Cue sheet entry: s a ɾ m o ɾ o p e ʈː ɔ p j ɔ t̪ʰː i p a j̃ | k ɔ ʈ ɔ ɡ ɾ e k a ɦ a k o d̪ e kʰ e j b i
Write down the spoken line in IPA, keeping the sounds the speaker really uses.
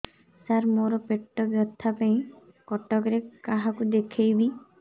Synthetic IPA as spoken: s a ɾ m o ɾ ɔ p e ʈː ɔ b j ɔ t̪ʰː a p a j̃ | k ɔ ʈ ɔ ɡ ɾ e k a ɦ a k u d̪ e kʰ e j b i